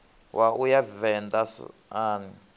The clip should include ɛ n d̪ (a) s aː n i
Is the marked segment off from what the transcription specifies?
no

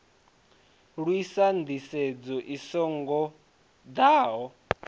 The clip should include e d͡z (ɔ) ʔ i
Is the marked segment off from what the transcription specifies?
no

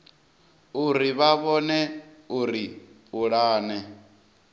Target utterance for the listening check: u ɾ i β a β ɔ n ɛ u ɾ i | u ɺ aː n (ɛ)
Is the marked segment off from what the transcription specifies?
no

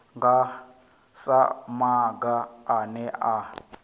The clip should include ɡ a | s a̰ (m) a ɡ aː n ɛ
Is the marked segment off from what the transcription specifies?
no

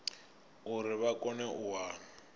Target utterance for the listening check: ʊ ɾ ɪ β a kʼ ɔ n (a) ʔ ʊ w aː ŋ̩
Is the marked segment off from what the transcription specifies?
yes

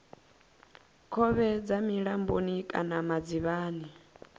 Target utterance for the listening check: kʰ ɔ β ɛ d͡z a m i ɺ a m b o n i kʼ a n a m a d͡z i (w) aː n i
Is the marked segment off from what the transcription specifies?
yes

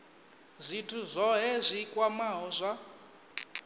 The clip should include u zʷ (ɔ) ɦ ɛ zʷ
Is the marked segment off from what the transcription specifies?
no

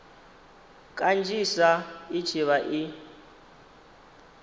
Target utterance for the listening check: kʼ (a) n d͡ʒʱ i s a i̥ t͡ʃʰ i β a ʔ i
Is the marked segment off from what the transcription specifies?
no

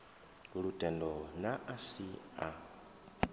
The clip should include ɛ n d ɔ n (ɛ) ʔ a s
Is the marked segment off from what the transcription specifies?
yes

